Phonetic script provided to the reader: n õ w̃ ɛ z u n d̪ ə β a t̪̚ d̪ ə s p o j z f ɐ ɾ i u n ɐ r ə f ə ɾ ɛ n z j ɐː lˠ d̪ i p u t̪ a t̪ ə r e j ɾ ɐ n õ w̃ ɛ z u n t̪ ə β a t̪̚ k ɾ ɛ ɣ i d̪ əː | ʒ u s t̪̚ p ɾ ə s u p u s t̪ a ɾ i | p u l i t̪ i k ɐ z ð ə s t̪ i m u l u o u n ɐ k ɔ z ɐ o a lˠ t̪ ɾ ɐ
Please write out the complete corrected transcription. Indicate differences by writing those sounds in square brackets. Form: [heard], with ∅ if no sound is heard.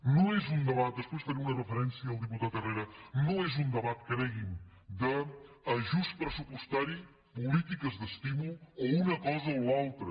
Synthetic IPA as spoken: n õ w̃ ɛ z u n d̪ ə β a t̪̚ d̪ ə s p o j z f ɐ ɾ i u n ɐ r ə f ə ɾ ɛ n [s] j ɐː lˠ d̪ i p u t̪ a t̪ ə r e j ɾ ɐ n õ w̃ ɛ z u n [d̪] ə β a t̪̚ k ɾ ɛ ɣ i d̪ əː | ʒ u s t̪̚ p ɾ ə s u p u s t̪ a ɾ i | p u l i t̪ i k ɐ z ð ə s t̪ i m u l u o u n ɐ k ɔ z ɐ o a lˠ t̪ ɾ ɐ